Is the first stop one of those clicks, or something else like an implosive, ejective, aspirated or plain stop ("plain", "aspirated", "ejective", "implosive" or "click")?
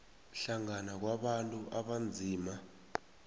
plain